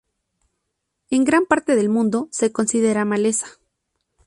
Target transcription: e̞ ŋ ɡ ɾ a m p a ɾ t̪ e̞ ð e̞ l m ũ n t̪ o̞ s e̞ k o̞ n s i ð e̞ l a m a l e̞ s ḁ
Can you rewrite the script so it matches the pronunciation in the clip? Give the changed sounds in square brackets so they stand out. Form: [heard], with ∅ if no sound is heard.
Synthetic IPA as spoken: e̞ ŋ ɡ ɾ a m p a ɾ t̪ e̞ ð e̞ l m ũ n [d̪] o̞ s e̞ k o̞ n s i ð e̞ [ɾ] a m a l e̞ s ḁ